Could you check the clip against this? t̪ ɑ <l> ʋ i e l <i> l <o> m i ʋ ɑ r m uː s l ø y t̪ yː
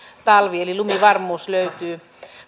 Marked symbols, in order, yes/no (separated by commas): yes, yes, no